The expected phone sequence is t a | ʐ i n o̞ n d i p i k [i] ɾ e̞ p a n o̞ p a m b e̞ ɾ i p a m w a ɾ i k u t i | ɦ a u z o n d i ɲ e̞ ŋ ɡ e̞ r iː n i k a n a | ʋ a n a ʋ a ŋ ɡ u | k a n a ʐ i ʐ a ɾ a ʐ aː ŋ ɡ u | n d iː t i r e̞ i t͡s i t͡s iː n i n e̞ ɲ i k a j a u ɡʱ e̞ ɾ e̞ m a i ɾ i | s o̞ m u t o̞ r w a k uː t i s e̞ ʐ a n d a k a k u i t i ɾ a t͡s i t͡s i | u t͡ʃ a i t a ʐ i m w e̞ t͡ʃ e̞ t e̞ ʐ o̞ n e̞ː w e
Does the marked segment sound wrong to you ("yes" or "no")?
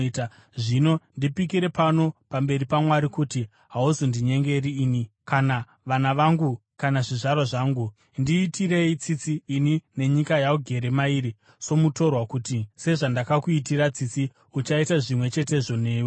no